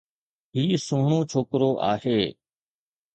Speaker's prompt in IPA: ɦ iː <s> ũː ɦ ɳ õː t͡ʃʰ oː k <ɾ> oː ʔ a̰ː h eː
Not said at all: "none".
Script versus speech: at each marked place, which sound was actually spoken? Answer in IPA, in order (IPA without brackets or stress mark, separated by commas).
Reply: s, ɾ